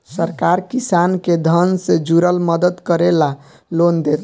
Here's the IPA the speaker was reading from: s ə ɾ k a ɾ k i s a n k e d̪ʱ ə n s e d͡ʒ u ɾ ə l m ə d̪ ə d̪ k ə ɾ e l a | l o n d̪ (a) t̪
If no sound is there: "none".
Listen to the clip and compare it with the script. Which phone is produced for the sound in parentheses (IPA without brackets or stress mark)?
e